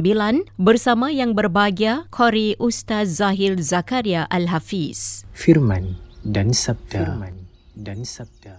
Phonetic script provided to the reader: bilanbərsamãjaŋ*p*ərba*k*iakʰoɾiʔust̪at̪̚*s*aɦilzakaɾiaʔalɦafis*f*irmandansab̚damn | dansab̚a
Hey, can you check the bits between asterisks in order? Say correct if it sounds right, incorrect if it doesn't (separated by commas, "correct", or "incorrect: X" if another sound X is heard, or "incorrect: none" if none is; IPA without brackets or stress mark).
incorrect: b, incorrect: ɡ, incorrect: z, correct